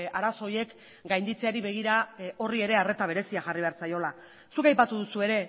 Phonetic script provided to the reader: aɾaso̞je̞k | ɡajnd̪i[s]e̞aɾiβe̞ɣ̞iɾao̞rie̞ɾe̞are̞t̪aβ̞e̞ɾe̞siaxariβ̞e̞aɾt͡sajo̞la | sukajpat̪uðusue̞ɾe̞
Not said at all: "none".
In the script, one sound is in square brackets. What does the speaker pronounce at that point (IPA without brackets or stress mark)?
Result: t͡s